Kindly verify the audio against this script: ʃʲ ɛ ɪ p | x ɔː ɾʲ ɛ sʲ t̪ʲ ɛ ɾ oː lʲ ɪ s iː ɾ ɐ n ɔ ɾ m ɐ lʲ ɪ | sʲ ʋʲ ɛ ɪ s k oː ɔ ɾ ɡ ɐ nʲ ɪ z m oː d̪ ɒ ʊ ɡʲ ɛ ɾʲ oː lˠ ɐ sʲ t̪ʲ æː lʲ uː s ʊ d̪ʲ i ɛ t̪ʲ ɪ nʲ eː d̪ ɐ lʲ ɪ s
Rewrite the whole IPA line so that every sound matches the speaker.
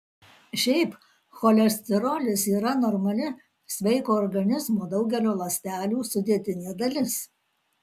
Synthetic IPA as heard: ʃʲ ɛ ɪ p | x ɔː lʲ ɛ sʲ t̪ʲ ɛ ɾ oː lʲ ɪ s iː ɾ ɐ n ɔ ɾ m ɐ lʲ ɪ | sʲ ʋʲ ɛ ɪ k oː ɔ ɾ ɡ ɐ nʲ ɪ z m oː d̪ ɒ ʊ ɡʲ ɛ lʲ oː lˠ ɐ sʲ t̪ʲ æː lʲ uː s ʊ d̪ʲ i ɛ t̪ʲ ɪ nʲ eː d̪ ɐ lʲ ɪ s